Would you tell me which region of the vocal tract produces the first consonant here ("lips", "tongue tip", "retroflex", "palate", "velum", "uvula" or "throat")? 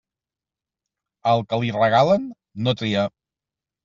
tongue tip